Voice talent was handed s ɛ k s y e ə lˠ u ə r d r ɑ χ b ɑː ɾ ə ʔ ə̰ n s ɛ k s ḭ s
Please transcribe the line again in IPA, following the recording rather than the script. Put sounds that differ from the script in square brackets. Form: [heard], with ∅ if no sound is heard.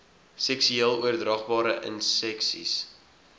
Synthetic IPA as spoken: s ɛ k s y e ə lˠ u ə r d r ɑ χ b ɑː ɾ ə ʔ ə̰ n s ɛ k s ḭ s